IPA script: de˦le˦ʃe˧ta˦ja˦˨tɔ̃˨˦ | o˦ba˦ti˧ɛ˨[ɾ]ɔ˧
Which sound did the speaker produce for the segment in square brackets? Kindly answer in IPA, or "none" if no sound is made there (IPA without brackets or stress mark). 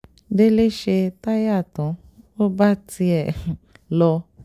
l